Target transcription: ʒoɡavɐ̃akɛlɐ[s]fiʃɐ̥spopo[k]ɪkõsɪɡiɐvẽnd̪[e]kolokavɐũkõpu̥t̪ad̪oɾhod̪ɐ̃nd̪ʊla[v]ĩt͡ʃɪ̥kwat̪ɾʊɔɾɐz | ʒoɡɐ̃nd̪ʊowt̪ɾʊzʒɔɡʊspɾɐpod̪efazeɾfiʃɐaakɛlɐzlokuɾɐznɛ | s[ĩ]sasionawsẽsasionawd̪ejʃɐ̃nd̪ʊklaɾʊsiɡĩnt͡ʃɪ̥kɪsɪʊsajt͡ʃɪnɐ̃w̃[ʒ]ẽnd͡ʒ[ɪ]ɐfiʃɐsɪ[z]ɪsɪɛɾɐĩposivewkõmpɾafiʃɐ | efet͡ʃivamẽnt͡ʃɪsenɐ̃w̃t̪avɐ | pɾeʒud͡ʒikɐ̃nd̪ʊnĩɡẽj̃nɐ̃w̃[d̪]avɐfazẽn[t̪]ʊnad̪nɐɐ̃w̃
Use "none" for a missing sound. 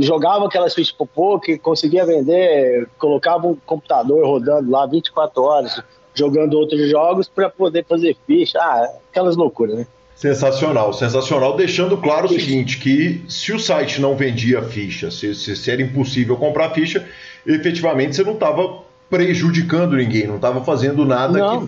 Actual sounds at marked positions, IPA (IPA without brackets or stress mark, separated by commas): s, k, e, v, ẽ, v, i, s, t̪, d̪